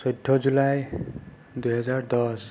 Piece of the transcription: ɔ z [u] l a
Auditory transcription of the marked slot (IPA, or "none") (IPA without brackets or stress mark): u